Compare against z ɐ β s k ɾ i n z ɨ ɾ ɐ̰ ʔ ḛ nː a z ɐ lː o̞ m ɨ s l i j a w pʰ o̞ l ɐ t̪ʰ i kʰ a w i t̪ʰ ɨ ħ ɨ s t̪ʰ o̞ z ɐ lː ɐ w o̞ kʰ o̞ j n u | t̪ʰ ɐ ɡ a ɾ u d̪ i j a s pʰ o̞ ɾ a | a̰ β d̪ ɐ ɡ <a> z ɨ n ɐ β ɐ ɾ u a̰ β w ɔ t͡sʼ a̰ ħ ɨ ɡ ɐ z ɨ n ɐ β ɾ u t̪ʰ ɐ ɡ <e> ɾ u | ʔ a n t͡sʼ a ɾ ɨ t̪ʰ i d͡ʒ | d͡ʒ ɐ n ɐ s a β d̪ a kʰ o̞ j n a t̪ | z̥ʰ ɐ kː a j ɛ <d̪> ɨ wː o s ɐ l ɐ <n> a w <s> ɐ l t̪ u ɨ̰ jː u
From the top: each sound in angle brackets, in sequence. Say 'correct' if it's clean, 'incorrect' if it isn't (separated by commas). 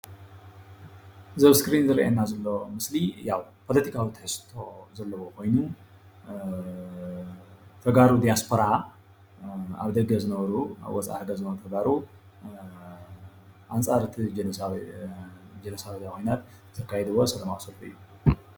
incorrect, incorrect, correct, incorrect, correct